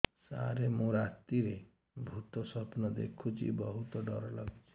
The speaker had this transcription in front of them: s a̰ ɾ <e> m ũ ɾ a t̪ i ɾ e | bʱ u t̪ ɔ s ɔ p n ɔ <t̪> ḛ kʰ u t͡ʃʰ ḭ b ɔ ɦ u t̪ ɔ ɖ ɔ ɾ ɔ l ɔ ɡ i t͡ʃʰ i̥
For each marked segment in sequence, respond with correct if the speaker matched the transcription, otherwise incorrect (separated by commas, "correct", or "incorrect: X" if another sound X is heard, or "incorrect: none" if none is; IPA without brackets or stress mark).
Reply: correct, incorrect: d̪